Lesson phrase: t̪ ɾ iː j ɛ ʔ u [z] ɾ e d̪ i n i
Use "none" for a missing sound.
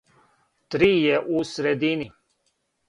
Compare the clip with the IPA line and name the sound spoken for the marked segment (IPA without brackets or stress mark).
s